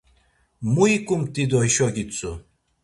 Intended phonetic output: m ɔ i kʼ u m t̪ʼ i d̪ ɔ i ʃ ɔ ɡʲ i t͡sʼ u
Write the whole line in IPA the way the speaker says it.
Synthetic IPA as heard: m u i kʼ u m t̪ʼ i d̪ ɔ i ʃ ɔ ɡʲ i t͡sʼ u